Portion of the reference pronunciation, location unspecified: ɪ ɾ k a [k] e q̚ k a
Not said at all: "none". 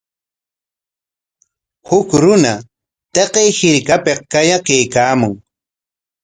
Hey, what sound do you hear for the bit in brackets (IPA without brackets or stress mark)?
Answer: p